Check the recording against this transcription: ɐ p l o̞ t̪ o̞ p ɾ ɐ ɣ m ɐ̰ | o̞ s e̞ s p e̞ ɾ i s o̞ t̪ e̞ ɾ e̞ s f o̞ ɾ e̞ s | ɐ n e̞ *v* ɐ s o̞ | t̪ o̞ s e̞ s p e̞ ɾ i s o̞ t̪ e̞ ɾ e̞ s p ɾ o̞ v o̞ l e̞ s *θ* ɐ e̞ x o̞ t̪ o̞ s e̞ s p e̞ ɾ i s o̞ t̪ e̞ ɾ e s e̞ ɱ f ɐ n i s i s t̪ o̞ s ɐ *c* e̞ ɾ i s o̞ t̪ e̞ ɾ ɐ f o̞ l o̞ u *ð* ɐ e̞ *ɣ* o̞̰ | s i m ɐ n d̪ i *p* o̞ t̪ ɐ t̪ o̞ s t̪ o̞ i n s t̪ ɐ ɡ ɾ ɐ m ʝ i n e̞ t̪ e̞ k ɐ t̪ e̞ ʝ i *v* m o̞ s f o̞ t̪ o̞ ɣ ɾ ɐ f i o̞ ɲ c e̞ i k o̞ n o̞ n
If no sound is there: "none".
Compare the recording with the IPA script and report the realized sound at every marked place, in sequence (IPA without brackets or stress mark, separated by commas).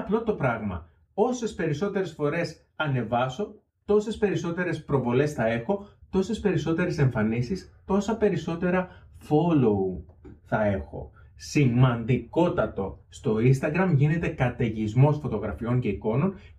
v, θ, p, θ, x, k, z